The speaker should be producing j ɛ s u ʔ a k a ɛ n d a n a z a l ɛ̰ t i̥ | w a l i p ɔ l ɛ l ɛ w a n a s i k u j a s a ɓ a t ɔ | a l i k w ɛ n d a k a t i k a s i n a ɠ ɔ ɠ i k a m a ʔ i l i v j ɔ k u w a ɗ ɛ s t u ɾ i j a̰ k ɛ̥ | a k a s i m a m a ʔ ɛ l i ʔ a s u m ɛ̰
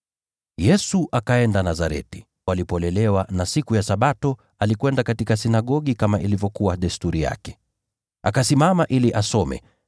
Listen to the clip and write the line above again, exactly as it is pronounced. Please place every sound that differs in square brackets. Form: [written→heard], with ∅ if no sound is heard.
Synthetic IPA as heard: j ɛ s u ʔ a k a ɛ n d a n a z a [l→ɾ] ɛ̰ t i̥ | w a l i p ɔ l ɛ l ɛ w a n a s i k u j a s a ɓ a t ɔ | a l i k w ɛ n d a k a t i k a s i n a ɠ ɔ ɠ i k a m a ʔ i l i v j ɔ k u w a ɗ ɛ s t u ɾ i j a̰ k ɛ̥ | a k a s i m a m a ʔ [ɛ→i] l i ʔ a s [u→ɔ] m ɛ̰